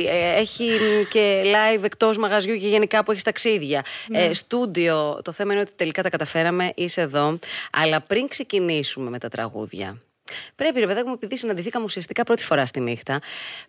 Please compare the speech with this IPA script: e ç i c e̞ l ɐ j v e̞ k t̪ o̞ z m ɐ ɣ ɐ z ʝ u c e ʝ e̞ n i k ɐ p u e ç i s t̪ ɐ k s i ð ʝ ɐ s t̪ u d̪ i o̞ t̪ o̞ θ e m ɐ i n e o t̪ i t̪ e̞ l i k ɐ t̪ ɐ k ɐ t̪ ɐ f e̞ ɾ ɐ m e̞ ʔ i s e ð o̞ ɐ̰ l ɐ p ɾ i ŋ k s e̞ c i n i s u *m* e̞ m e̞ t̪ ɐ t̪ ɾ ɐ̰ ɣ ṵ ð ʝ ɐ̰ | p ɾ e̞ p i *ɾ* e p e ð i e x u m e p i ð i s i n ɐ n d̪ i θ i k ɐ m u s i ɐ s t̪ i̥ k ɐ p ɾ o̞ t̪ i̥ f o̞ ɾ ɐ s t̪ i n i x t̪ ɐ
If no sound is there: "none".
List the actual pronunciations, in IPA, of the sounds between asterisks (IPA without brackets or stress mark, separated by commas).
m, ɾ